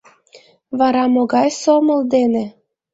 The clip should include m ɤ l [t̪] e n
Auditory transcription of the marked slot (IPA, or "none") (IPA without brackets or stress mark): d̪